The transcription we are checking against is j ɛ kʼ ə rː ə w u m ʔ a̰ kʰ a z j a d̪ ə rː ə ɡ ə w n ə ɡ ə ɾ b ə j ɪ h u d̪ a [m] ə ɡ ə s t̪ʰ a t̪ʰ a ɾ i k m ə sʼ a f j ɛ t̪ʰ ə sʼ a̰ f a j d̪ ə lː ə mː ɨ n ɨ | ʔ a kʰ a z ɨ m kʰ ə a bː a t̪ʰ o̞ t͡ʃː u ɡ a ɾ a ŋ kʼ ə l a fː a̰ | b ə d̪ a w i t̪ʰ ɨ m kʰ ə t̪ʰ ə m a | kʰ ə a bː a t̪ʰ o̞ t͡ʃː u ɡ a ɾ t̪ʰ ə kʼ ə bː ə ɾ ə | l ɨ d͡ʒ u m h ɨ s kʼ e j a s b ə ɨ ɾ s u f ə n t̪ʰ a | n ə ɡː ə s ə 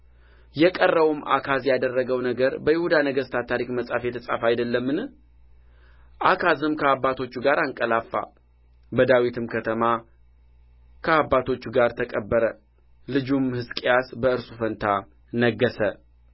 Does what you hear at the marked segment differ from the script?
yes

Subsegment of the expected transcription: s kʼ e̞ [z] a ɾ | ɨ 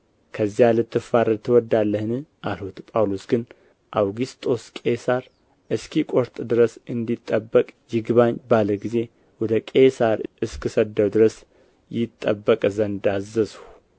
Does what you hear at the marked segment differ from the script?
yes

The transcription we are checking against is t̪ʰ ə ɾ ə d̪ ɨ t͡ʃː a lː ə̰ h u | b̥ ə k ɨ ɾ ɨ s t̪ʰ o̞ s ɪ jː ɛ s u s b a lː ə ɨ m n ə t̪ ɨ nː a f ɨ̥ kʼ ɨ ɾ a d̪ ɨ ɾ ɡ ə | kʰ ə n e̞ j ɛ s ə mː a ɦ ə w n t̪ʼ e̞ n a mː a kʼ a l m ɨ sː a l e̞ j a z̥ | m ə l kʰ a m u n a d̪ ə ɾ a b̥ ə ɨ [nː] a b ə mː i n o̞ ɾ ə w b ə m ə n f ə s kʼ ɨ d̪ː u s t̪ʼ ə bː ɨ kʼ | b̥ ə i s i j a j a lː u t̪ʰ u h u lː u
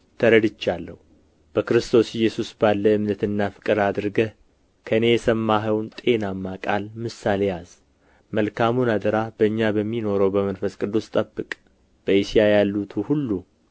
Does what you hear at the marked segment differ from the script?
yes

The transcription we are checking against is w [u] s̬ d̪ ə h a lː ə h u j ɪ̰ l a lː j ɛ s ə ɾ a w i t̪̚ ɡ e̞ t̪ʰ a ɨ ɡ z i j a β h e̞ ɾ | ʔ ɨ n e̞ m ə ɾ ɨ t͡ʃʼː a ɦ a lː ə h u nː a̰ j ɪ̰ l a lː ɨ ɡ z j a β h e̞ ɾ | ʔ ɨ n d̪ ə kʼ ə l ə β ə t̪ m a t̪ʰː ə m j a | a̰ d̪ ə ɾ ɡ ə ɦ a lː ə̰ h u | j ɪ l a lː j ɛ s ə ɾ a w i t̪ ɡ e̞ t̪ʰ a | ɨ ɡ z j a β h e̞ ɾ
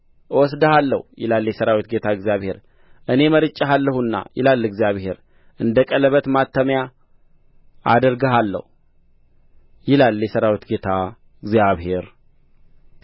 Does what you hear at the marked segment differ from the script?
yes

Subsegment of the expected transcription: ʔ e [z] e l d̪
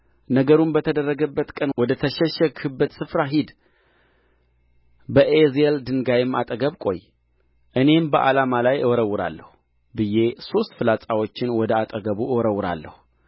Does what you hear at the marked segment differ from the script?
no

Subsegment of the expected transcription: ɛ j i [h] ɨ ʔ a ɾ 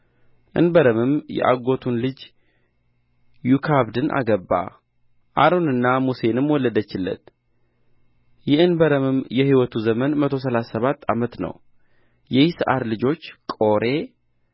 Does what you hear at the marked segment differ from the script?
yes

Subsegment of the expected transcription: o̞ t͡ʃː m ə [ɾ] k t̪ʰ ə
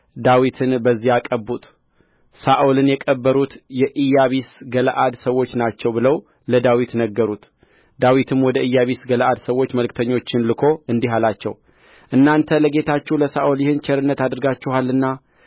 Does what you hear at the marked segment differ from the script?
yes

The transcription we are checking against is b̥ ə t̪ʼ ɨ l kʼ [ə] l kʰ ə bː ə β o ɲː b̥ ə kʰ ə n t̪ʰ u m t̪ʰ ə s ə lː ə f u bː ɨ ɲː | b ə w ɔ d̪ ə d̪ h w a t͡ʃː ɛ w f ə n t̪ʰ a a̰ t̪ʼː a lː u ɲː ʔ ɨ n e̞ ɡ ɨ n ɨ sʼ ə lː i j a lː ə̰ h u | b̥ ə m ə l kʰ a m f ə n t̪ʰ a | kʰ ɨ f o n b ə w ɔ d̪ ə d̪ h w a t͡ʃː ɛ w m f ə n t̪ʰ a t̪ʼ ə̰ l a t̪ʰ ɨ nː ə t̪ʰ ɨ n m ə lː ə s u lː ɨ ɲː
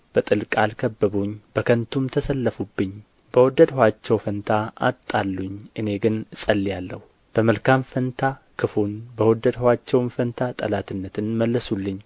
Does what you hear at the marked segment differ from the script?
yes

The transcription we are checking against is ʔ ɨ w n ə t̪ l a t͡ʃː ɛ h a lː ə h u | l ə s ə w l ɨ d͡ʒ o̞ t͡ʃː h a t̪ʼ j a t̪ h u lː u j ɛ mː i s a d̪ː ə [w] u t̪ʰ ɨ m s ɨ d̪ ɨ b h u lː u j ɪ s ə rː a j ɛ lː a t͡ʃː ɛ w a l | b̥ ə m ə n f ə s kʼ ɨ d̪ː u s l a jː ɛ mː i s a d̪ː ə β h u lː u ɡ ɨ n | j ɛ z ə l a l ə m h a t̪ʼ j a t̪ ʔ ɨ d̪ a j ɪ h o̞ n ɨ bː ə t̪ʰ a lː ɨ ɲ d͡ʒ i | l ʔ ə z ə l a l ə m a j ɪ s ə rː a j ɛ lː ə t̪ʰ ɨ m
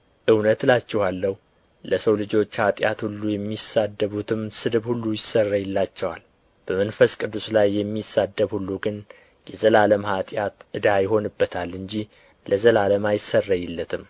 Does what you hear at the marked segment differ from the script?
yes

